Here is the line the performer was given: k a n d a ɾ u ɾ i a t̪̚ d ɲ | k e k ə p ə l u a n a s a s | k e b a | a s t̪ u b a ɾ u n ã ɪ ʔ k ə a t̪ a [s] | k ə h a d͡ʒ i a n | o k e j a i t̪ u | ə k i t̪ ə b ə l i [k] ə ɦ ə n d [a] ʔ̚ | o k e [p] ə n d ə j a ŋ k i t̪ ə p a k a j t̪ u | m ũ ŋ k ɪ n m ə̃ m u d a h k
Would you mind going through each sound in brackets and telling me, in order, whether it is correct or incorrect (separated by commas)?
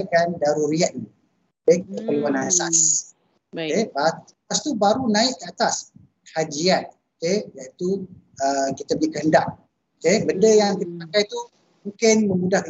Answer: correct, correct, correct, incorrect